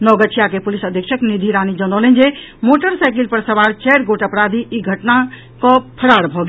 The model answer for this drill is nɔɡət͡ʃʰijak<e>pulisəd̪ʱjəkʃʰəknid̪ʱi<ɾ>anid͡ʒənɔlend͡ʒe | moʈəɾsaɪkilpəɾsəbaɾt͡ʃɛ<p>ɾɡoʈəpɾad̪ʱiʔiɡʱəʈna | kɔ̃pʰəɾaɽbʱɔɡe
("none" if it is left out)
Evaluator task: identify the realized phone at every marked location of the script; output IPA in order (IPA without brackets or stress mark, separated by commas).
e, ɾ, none